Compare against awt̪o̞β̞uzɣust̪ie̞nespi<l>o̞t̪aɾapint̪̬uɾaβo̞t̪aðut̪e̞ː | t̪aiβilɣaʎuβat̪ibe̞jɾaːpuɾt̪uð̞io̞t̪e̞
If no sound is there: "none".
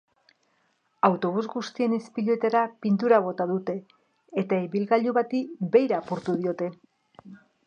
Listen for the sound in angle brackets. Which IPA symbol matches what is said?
ʎ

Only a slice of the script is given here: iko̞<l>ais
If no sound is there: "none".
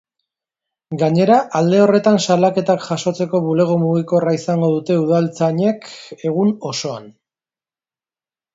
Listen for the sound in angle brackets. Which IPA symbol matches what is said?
r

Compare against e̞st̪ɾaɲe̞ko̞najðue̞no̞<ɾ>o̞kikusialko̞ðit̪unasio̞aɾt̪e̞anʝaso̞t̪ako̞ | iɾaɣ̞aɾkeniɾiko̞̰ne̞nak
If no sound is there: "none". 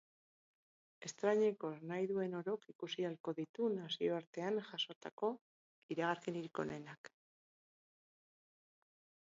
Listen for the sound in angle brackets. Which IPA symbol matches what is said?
ɾ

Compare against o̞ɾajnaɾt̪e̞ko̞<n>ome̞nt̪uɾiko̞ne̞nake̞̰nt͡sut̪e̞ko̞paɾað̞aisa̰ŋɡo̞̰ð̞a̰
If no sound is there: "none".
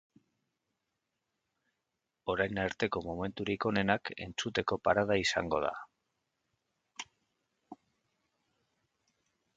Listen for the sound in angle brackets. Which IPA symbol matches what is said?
m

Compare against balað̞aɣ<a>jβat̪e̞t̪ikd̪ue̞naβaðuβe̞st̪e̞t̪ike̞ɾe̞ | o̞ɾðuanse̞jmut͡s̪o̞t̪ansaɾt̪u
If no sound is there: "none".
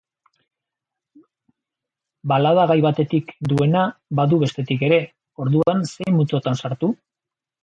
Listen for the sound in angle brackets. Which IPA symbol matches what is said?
a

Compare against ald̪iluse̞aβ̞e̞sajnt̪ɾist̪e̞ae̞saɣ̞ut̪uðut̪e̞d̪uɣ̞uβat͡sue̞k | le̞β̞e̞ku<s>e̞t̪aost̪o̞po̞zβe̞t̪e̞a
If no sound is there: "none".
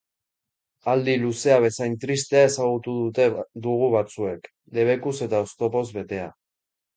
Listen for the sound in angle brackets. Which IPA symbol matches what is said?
s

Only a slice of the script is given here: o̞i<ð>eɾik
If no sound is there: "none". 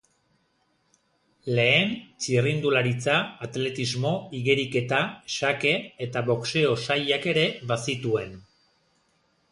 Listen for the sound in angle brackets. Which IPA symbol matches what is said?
ɣ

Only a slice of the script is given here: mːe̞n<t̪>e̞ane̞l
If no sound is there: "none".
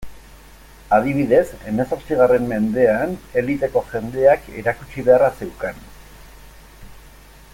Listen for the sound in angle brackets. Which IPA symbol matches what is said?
d̪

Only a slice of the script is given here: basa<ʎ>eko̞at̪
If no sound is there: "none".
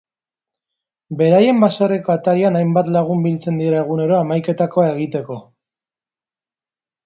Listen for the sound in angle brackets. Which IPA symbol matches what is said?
r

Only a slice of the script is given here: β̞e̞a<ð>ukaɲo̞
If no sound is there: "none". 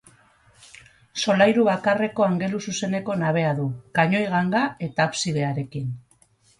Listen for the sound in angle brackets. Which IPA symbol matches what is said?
ð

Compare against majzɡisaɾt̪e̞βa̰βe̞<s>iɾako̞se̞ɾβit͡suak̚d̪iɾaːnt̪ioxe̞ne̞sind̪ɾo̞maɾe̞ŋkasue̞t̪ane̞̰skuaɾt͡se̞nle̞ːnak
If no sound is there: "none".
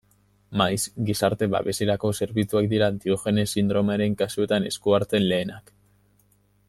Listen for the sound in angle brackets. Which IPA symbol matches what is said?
s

